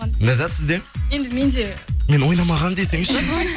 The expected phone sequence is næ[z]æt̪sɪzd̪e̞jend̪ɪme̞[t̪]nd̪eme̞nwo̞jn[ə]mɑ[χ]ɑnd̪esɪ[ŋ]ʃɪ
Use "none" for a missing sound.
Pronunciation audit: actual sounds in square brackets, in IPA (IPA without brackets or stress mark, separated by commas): z, none, ɑ, ʁ, ŋ